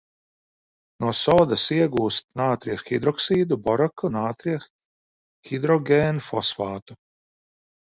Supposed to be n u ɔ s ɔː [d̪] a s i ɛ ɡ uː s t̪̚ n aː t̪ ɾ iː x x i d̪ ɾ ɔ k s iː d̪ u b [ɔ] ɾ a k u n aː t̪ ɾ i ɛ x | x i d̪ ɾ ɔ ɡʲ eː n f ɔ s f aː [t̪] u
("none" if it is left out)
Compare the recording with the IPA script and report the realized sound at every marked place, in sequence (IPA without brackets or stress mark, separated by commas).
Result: d̪, ɔ, t̪